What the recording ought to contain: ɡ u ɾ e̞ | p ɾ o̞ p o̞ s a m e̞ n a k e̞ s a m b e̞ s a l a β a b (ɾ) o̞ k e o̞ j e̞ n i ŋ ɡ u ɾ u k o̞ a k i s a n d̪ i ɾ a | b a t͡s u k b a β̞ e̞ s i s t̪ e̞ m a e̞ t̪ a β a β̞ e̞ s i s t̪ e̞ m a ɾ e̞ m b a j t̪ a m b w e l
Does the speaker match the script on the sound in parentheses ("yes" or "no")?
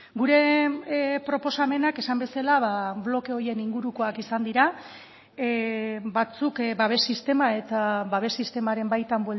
no